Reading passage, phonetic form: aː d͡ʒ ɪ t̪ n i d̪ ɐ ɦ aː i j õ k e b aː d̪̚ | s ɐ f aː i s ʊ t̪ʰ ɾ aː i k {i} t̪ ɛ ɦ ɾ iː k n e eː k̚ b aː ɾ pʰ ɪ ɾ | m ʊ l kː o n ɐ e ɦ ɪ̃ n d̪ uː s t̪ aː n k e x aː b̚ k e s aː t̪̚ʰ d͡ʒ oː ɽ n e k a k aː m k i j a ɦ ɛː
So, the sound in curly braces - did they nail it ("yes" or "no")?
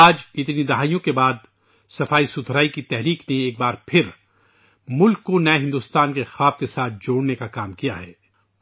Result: yes